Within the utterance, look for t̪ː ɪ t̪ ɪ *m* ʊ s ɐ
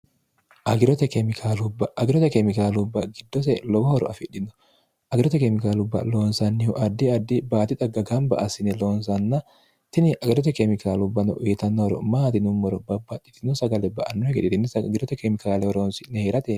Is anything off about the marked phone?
yes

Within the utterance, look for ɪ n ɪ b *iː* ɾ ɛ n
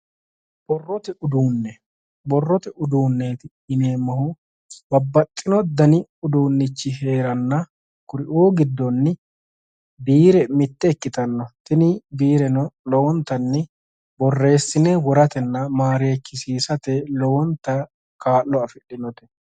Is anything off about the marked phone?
no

